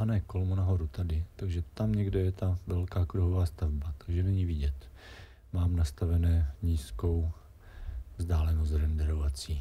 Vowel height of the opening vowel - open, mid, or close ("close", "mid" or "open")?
open